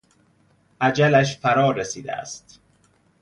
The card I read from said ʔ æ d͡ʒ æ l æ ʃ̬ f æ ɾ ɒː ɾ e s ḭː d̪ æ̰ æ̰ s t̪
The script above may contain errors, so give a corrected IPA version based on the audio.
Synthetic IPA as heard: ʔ æ d͡ʒ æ l æ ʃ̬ f æ ɾ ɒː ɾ e s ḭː d̪ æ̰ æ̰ s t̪